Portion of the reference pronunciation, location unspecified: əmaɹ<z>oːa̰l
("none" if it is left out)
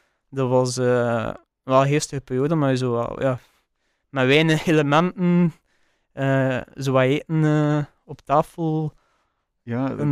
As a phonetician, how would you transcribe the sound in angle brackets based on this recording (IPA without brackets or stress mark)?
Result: z